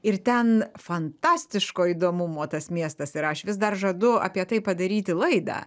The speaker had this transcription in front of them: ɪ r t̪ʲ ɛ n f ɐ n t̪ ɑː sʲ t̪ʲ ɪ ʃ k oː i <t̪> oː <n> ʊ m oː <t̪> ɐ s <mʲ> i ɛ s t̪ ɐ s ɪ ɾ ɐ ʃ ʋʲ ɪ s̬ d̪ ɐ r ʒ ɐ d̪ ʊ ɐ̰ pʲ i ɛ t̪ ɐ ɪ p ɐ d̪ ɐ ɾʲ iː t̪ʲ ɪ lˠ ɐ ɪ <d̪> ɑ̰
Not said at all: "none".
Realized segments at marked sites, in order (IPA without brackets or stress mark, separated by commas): d̪, m, t̪, mʲ, d̪